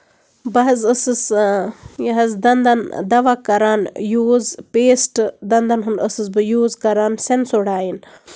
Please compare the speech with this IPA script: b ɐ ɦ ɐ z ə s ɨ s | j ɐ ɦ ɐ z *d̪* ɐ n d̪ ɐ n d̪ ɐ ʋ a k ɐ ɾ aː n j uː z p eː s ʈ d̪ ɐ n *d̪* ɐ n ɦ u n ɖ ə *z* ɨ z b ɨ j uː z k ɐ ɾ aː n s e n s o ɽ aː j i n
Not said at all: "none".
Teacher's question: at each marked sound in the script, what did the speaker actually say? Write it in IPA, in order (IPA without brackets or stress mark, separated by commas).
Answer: d̪, d̪, s